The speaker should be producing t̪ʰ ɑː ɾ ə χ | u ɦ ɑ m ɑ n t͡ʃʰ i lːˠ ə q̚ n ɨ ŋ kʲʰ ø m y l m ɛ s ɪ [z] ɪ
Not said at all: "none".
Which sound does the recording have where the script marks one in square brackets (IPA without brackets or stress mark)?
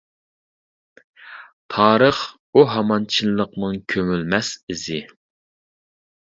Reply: z